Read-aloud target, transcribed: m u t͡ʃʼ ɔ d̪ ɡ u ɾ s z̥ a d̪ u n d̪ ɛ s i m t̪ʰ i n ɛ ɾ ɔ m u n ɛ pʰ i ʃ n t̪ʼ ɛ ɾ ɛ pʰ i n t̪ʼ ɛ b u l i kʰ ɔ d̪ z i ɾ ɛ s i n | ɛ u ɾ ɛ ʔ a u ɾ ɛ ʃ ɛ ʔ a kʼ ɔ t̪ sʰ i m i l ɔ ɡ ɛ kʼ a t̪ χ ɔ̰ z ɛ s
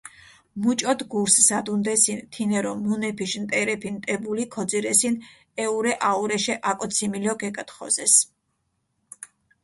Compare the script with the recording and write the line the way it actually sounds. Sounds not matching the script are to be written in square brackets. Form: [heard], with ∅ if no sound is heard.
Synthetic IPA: m u t͡ʃʼ ɔ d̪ ɡ u ɾ s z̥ a d̪ u n d̪ ɛ s i [n] t̪ʰ i n ɛ ɾ ɔ m u n ɛ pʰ i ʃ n t̪ʼ ɛ ɾ ɛ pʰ i n t̪ʼ ɛ b u l i kʰ ɔ d̪ z i ɾ ɛ s i n | ɛ u ɾ ɛ ʔ a u ɾ ɛ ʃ ɛ ʔ a kʼ ɔ t̪ sʰ i m i l ɔ ɡ ɛ kʼ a t̪ χ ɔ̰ z ɛ s